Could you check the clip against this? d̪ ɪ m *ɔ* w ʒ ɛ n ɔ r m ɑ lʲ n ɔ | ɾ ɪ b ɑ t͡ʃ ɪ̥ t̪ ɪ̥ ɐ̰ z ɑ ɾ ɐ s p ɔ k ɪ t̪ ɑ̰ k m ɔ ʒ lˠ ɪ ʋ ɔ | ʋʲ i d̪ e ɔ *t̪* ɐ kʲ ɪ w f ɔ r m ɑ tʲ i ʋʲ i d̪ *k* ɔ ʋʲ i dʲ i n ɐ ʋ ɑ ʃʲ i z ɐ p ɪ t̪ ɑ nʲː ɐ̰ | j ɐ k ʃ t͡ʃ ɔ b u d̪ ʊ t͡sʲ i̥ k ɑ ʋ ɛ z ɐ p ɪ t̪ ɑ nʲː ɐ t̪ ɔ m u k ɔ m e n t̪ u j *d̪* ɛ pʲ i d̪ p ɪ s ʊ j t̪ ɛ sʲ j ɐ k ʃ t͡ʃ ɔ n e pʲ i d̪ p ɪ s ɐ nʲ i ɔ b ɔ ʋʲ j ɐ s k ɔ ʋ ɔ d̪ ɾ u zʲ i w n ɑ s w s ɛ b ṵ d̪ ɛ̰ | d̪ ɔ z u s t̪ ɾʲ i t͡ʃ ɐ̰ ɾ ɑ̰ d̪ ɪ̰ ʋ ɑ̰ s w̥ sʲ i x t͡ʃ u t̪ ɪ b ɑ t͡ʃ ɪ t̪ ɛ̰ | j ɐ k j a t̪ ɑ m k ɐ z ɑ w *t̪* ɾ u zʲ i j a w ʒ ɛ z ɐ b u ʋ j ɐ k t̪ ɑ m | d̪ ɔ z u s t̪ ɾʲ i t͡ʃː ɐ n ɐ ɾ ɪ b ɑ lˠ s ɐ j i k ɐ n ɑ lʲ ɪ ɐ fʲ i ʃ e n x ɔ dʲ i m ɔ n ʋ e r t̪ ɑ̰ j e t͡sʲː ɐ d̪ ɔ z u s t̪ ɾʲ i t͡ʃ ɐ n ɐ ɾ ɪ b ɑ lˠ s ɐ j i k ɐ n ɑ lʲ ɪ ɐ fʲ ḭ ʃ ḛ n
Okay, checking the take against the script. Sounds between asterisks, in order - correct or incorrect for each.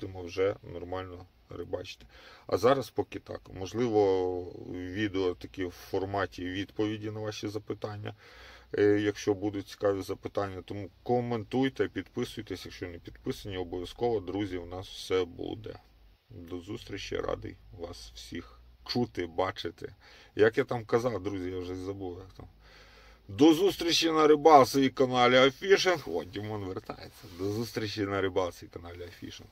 correct, correct, incorrect, incorrect, incorrect

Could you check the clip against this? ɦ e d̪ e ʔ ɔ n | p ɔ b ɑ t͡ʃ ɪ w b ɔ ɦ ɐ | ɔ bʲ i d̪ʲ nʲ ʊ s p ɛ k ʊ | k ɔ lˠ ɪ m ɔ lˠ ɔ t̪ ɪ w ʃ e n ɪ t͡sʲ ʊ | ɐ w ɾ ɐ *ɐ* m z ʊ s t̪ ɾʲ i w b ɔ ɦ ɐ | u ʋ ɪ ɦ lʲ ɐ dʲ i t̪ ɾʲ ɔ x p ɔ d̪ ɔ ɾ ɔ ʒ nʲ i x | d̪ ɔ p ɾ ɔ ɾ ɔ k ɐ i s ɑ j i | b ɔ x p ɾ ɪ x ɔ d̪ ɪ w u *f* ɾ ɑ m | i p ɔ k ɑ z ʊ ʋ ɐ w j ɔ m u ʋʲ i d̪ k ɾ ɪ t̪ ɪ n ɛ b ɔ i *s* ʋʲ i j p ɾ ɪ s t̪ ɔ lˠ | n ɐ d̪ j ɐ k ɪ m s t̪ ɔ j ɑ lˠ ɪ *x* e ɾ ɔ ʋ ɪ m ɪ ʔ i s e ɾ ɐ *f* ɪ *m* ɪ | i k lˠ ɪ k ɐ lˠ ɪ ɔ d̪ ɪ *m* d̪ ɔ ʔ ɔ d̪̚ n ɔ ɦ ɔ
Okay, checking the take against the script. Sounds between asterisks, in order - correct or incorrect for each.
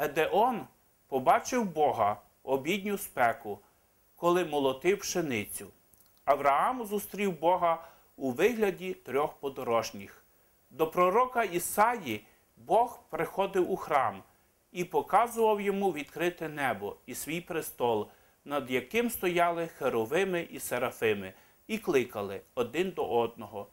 incorrect, incorrect, correct, correct, correct, correct, incorrect

